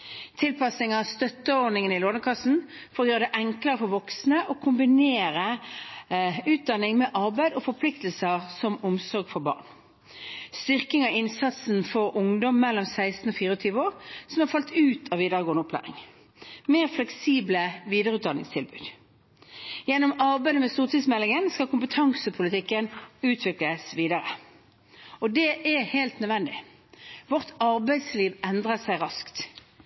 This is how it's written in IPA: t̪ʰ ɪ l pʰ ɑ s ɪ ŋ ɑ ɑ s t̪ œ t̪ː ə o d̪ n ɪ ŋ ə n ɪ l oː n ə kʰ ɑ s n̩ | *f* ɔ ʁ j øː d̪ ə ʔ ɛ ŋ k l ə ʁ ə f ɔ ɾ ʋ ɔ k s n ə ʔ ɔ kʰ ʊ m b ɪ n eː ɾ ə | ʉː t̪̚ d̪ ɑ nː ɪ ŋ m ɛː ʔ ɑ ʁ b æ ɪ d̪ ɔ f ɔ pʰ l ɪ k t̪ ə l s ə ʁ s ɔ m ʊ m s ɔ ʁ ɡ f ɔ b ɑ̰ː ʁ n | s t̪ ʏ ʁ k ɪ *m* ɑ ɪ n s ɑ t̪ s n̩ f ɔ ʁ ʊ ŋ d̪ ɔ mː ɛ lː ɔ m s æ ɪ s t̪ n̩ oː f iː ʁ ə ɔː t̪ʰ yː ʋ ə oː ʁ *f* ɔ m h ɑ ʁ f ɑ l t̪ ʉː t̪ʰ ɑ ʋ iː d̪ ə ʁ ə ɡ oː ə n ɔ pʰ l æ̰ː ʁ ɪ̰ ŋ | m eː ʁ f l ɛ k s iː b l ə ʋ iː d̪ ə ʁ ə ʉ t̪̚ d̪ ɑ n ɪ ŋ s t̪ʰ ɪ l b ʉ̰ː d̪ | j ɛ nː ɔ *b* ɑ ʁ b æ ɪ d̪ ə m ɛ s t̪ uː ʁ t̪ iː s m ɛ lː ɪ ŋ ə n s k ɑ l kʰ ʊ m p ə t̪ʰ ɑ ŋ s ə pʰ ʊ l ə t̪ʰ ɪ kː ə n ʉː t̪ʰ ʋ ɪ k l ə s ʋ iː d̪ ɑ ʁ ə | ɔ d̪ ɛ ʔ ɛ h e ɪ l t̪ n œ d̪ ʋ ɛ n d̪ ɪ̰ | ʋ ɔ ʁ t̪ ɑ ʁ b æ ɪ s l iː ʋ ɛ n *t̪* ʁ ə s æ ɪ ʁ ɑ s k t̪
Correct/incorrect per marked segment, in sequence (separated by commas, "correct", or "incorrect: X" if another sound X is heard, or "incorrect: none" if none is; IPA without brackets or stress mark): correct, incorrect: ŋ, incorrect: s, incorrect: m, incorrect: d̪